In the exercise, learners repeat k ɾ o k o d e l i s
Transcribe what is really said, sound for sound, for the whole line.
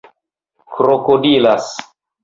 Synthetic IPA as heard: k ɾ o k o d i l a s